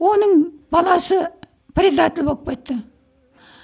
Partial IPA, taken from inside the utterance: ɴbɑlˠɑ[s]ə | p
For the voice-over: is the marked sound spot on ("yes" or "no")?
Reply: yes